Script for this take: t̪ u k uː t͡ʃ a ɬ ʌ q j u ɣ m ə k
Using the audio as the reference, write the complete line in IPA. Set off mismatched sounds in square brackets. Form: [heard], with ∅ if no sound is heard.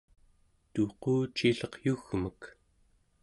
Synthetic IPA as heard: t̪ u [q] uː t͡ʃ [i] ɬ ʌ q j u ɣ m ə k